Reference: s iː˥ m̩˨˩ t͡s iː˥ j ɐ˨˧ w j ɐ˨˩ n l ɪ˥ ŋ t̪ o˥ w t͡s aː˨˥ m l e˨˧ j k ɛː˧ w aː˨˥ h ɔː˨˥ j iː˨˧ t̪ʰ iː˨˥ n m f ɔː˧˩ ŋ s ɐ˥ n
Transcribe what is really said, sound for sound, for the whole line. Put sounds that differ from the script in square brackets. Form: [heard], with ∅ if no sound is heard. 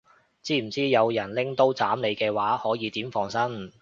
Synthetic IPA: [t͡s] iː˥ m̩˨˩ t͡s iː˥ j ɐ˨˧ w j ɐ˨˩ n l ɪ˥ ŋ t̪ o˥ w t͡s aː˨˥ m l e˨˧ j k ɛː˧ w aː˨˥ h ɔː˨˥ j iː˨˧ [t̪] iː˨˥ [∅] m f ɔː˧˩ ŋ s ɐ˥ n